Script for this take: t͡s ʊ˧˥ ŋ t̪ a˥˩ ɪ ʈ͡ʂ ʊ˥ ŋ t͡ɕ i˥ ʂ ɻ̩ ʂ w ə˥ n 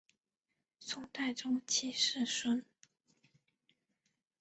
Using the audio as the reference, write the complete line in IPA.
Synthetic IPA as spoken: t͡sʰ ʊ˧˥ ŋ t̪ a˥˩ ɪ ʈ͡ʂ ʊ˥ ŋ t͡ɕʰ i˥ ʂ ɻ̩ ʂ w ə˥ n

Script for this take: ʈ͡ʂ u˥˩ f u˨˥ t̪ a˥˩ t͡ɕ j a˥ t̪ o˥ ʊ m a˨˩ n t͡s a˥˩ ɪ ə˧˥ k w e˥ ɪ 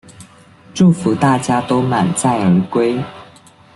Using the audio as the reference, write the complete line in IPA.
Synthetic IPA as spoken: ʈ͡ʂ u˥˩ f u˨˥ t̪ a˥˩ t͡ɕ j a˥ t̪ o˥ ʊ m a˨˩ n t͡s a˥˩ ɪ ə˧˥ k w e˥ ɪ

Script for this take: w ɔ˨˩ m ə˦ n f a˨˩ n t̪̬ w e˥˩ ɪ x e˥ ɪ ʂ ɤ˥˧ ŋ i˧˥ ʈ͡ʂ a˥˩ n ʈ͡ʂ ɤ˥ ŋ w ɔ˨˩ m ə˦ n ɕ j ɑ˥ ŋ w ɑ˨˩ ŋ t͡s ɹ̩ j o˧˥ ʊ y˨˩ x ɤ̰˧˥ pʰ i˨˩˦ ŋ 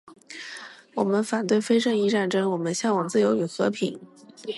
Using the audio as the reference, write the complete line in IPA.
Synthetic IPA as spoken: w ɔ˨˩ m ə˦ n f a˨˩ n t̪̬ w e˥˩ ɪ f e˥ ɪ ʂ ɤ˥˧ ŋ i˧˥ ʈ͡ʂ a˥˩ n ʈ͡ʂ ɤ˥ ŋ w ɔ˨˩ m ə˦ n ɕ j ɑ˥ ŋ w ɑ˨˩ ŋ t͡s ɹ̩ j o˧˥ ʊ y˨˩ x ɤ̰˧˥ pʰ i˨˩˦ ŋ

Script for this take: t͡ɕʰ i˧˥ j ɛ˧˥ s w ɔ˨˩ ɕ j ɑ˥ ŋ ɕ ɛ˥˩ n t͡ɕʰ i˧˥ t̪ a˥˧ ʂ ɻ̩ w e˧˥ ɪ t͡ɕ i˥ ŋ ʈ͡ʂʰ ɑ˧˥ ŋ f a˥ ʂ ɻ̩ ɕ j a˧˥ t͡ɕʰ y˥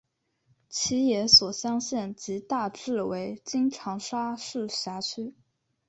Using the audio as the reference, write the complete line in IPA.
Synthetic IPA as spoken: t͡ɕʰ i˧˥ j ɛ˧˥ s w ɔ˨˩ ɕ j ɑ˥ ŋ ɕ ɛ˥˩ n t͡ɕ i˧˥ t̪ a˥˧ ʈ͡ʂ ɻ̩ w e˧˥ ɪ t͡ɕ i˥ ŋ ʈ͡ʂʰ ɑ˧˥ ŋ ʂ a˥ ʂ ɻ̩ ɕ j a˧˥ t͡ɕʰ y˥

